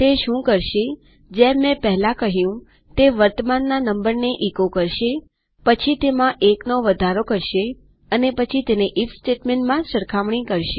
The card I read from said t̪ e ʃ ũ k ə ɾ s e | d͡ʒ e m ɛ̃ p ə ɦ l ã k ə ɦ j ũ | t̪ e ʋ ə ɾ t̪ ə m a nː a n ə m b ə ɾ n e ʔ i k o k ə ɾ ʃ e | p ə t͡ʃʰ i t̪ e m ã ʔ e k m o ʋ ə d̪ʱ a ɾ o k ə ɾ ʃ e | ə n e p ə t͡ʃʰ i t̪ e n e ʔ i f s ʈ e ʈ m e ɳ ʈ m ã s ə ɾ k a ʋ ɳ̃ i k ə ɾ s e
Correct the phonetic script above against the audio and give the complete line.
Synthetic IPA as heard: t̪ e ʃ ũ k ə ɾ ʃ e | d͡ʒ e m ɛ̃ p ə ɦ l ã k ə ɦ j ũ | t̪ e ʋ ə ɾ t̪ ə m a nː a n ə m b ə ɾ n e ʔ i k o k ə ɾ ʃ e | p ə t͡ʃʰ i t̪ e m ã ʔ e k n o ʋ ə d̪ʱ a ɾ o k ə ɾ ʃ e | ə n e p ə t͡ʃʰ i t̪ e n e ʔ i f s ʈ e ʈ m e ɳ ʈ m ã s ə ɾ kʰ a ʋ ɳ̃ i k ə ɾ ʃ e